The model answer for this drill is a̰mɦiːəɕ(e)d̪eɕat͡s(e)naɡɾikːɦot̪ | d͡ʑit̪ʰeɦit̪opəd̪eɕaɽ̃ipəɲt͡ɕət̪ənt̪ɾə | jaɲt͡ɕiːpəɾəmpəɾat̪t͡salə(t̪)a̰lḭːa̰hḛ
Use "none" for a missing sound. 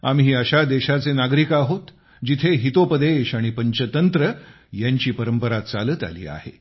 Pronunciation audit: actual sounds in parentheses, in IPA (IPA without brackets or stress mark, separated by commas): a, e, t̪